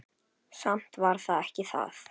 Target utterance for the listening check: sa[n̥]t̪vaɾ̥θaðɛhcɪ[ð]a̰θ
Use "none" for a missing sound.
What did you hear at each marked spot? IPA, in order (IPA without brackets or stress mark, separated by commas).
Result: m̥, θ